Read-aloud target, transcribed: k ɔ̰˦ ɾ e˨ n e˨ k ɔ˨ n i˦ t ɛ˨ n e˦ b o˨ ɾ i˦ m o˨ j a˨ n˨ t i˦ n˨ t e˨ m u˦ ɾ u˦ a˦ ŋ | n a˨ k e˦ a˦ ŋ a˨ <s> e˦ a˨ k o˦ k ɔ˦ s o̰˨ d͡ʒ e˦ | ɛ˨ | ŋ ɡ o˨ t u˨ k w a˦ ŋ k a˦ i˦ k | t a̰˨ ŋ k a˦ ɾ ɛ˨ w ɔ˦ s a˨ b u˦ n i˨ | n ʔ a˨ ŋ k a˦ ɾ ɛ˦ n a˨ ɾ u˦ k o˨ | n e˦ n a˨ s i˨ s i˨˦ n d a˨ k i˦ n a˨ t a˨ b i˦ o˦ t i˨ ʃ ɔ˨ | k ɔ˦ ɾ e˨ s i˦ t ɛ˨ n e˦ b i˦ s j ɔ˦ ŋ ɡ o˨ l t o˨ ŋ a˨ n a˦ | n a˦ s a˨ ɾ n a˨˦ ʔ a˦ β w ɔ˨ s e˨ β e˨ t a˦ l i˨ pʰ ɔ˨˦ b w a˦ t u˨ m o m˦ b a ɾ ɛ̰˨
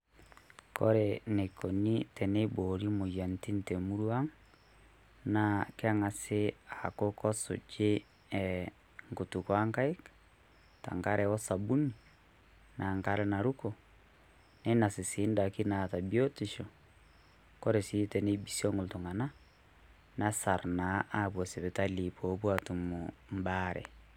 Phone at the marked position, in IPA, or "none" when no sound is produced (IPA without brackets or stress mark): s